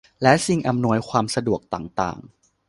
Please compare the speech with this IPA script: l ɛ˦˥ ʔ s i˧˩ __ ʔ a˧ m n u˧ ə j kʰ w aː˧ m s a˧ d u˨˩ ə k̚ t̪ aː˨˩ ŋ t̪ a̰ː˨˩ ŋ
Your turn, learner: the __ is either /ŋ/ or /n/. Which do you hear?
ŋ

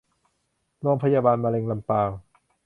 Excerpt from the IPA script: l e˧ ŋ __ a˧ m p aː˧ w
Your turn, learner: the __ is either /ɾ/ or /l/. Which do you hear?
l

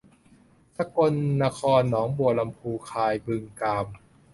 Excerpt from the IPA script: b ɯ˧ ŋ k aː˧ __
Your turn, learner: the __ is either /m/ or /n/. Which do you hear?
m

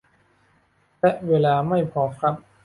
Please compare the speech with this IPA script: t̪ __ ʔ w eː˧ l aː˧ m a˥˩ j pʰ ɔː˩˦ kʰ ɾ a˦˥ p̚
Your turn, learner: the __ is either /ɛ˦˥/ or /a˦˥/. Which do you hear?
ɛ˦˥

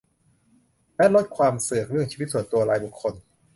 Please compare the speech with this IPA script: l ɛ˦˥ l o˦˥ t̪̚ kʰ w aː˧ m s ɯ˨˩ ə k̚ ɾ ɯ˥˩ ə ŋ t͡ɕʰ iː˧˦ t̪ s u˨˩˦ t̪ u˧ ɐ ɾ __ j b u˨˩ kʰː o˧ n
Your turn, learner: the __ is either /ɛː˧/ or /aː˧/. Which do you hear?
aː˧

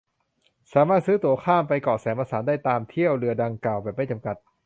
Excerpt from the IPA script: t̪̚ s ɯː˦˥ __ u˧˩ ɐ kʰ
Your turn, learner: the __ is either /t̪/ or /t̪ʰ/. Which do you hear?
t̪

